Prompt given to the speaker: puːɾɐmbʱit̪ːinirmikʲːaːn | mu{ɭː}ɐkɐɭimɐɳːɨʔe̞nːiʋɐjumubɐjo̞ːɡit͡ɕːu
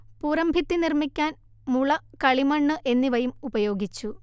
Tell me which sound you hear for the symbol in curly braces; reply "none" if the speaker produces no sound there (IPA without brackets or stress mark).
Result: ɭ